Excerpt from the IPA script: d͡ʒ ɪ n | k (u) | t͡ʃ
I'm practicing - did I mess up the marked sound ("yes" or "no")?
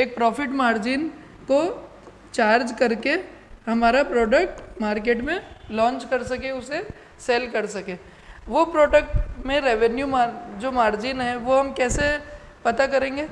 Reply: yes